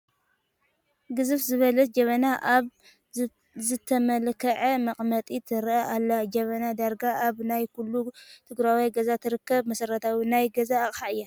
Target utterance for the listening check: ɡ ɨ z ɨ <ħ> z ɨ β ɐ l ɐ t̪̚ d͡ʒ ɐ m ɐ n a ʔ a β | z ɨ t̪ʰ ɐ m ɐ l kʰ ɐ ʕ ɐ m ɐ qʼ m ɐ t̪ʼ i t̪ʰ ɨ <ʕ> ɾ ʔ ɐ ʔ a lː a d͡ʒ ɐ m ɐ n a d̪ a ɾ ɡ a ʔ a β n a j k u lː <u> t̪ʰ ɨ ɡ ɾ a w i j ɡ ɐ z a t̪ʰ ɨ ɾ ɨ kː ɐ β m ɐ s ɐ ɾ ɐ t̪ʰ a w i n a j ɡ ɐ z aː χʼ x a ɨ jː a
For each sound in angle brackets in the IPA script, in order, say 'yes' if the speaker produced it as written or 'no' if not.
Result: no, no, yes

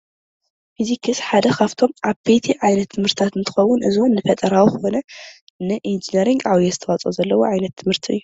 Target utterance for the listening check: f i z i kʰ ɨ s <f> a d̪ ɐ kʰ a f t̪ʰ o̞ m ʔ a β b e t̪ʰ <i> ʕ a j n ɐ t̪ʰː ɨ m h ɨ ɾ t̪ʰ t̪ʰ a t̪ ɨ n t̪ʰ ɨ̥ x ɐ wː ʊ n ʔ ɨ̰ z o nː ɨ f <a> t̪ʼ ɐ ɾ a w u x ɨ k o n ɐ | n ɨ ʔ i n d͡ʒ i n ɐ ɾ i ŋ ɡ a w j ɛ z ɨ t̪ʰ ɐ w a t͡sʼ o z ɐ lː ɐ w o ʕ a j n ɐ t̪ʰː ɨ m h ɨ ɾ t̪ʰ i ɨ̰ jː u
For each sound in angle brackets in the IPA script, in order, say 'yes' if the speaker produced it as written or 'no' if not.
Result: no, yes, no

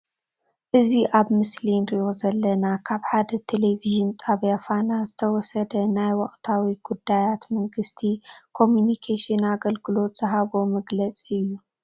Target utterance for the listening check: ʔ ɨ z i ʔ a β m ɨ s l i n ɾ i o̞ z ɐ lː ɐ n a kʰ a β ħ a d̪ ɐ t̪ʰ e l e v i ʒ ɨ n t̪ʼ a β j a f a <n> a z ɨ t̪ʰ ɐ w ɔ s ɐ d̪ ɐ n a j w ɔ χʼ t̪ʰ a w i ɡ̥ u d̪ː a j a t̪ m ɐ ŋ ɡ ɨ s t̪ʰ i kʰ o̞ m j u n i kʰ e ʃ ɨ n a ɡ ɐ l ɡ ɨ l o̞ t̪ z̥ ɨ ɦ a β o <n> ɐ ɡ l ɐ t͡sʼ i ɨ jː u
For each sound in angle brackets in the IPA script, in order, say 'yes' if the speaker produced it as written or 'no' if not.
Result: yes, no

